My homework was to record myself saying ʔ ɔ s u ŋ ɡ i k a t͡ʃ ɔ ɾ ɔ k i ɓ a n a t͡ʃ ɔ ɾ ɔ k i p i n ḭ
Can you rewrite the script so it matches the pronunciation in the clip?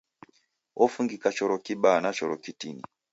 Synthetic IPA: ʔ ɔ f u ŋ ɡ i k a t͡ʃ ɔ ɾ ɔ k i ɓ a n a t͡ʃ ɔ ɾ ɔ k i t i n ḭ